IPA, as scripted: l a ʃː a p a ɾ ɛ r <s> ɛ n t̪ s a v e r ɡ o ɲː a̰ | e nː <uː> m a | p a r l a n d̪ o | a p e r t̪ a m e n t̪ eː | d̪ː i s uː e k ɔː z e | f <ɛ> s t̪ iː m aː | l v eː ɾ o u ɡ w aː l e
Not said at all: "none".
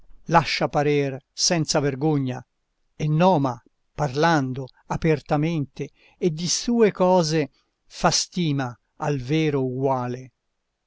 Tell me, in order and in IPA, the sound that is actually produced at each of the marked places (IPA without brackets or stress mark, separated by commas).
s, ɔː, a